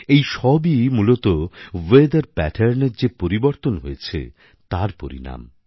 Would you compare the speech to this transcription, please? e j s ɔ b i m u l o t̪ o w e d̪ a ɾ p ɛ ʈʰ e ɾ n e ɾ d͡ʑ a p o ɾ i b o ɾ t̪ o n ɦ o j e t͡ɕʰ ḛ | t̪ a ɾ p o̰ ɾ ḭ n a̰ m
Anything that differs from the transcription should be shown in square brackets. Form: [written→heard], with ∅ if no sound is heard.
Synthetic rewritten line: e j [s→ʃ] ɔ b i m u l o t̪ o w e d̪ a ɾ p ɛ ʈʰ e ɾ n e ɾ d͡ʑ [a→e] p o ɾ i b o ɾ t̪ o n ɦ o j e t͡ɕʰ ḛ | t̪ a ɾ p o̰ ɾ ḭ n a̰ m

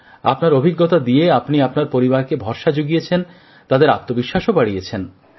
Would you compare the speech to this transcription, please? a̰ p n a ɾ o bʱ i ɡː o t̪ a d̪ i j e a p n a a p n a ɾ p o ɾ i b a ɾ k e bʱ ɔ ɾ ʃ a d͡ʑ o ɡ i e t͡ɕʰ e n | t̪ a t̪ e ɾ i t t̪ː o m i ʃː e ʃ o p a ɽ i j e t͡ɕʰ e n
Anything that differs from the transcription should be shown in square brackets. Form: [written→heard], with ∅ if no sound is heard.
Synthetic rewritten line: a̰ p n a ɾ o bʱ i ɡː o t̪ a d̪ i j e a p n [a→i] a p n a ɾ p o ɾ i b a ɾ k e bʱ ɔ ɾ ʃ a d͡ʑ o ɡ i e t͡ɕʰ e n | t̪ a [t̪→d̪] e ɾ [i→a] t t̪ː o [m→b] i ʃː [e→a] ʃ o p a ɽ i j e t͡ɕʰ e n

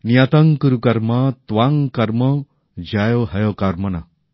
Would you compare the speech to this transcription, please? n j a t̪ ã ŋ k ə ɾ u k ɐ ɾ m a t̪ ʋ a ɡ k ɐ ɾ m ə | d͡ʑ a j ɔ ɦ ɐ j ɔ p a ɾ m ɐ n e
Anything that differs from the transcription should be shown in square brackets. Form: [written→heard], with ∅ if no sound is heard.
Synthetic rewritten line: n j a t̪ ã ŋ k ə ɾ u k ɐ ɾ m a t̪ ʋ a [ɡ→ŋ] k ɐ ɾ m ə | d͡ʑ a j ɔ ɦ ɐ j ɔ [p→k] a ɾ m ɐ n [e→a]

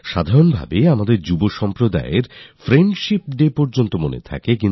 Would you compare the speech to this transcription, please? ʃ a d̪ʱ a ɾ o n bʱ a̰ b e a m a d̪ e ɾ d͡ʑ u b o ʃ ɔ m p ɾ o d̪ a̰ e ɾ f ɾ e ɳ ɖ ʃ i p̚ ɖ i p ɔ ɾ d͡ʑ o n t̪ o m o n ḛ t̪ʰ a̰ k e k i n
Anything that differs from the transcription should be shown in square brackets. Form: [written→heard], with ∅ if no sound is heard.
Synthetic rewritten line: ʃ a d̪ʱ a ɾ o n bʱ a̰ b e a m a d̪ e ɾ d͡ʑ u b o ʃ ɔ m p ɾ o d̪ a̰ e ɾ f ɾ e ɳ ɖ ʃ i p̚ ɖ [i→e] p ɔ ɾ d͡ʑ o n t̪ o m o n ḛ t̪ʰ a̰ k e k i n

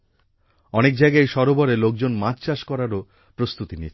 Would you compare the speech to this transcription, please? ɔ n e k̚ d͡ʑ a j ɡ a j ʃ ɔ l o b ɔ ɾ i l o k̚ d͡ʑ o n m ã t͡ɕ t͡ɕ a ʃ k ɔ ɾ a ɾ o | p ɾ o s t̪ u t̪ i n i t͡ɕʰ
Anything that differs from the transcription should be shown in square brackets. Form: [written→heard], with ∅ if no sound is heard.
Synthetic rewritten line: ɔ n e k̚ d͡ʑ a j ɡ a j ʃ ɔ [l→ɾ] o b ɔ ɾ [i→e] l o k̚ d͡ʑ o n m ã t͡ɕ t͡ɕ a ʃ k ɔ ɾ a ɾ o | p ɾ o s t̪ u t̪ i n i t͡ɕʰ

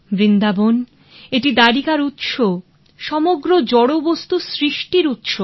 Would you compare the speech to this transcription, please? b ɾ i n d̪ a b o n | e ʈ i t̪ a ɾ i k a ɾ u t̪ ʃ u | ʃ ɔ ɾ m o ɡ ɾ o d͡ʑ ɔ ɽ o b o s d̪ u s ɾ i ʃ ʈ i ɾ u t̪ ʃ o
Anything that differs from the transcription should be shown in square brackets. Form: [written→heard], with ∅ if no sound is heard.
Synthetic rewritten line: b ɾ i n d̪ a b o n | e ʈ i [t̪→d̪] a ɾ i k a ɾ u t̪ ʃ [u→o] | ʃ ɔ [ɾ→∅] m o ɡ ɾ o d͡ʑ ɔ ɽ o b o s [d̪→t̪] u s ɾ i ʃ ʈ i ɾ u t̪ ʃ o

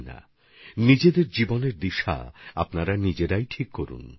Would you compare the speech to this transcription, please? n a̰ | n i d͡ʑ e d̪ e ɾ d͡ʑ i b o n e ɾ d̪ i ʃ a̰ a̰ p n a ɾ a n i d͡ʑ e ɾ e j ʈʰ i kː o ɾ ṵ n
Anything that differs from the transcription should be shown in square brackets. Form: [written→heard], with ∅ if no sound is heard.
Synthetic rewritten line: n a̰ | n i d͡ʑ e d̪ e ɾ d͡ʑ i b o n e ɾ d̪ i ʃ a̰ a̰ p n a ɾ a n i d͡ʑ e ɾ [e→a] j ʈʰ i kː o ɾ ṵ n

